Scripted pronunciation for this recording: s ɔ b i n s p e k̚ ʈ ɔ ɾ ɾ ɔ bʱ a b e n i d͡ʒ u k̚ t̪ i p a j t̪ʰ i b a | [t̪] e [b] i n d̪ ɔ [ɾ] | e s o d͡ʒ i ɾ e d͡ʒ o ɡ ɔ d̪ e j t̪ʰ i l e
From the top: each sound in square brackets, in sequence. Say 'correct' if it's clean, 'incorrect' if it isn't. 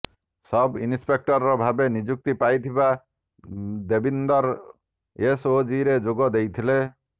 incorrect: d̪, correct, correct

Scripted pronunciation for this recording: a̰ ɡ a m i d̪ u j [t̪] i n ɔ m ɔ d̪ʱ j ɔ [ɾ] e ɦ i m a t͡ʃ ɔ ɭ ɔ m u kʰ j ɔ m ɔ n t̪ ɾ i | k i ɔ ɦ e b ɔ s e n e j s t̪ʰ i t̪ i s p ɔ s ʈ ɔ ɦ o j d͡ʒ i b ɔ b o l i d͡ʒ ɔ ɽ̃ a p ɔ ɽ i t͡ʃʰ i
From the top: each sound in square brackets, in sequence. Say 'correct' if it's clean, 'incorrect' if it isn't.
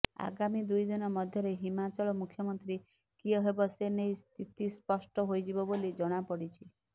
incorrect: d̪, correct

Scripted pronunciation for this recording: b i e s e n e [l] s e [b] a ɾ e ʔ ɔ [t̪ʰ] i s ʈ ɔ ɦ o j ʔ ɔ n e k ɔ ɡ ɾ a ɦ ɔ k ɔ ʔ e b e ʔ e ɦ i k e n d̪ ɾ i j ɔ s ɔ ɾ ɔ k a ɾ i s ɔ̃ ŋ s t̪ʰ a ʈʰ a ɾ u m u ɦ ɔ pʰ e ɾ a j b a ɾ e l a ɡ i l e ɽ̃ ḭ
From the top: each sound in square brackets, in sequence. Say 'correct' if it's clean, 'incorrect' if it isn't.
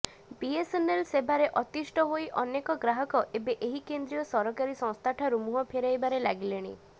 correct, correct, incorrect: t̪

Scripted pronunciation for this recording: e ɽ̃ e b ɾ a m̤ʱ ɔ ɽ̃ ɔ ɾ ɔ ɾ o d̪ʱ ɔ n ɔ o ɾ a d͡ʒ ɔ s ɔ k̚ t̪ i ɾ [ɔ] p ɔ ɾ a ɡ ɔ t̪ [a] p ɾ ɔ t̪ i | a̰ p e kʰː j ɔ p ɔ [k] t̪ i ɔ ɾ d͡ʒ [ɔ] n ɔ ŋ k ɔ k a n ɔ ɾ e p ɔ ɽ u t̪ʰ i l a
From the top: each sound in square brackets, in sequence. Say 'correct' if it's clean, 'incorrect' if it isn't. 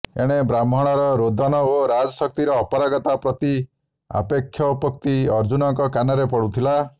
incorrect: ɔː, correct, correct, incorrect: u

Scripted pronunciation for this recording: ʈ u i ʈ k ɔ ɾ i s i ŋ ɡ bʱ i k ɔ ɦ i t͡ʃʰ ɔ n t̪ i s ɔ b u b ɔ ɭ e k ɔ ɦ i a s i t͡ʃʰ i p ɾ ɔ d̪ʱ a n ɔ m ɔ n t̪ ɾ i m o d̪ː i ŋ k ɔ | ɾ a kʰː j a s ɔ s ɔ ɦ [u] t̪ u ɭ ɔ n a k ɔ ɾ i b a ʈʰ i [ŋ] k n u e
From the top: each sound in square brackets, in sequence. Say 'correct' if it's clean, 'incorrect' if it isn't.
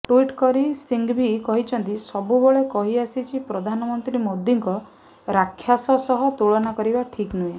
incorrect: ɔ, incorrect: none

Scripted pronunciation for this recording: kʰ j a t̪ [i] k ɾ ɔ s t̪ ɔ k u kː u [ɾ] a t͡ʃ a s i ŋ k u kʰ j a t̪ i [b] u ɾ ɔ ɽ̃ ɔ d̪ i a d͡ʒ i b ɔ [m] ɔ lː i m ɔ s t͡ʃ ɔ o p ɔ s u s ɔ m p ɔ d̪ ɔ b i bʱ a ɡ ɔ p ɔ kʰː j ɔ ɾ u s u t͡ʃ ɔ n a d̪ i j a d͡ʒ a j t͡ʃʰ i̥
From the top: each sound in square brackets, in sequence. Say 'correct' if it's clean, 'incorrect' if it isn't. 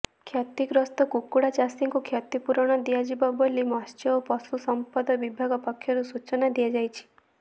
correct, incorrect: ɽ, incorrect: p, incorrect: b

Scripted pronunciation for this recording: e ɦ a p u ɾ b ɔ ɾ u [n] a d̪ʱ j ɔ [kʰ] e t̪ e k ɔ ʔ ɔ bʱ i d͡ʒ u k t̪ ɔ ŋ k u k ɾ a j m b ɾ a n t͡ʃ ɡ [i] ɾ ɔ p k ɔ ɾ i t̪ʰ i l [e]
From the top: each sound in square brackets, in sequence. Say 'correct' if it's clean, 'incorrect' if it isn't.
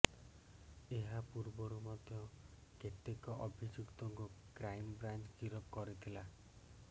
incorrect: m, incorrect: k, correct, incorrect: a

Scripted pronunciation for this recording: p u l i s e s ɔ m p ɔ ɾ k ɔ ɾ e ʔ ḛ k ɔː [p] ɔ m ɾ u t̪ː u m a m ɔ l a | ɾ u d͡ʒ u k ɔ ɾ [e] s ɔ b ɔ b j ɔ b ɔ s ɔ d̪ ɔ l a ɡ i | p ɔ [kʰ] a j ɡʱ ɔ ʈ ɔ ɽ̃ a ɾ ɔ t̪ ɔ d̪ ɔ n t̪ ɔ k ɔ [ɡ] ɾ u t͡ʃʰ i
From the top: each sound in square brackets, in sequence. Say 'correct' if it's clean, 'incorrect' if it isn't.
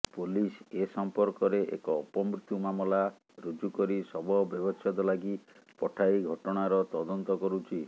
correct, incorrect: i, incorrect: ʈʰ, incorrect: none

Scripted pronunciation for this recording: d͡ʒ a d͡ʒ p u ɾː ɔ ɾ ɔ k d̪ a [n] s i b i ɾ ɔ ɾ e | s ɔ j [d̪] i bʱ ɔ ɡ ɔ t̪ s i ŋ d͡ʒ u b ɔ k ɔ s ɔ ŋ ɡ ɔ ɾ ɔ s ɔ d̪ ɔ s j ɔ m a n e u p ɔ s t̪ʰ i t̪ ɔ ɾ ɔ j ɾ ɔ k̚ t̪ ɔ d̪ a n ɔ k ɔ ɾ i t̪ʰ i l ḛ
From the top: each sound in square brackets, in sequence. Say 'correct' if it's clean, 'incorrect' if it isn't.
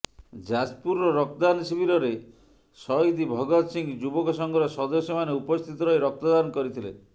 correct, correct

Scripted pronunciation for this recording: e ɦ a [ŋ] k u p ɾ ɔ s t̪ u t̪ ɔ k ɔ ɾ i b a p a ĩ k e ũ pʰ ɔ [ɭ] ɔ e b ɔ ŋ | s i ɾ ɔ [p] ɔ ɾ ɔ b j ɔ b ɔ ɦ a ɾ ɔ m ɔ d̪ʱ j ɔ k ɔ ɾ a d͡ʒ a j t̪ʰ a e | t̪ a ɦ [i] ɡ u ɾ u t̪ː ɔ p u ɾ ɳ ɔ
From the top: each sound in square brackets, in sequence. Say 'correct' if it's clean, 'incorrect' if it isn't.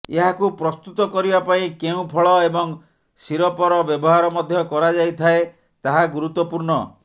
incorrect: none, correct, correct, incorrect: a

